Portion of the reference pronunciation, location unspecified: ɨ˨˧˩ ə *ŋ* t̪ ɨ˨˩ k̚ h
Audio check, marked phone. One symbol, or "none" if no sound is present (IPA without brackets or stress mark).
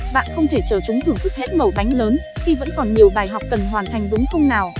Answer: ŋ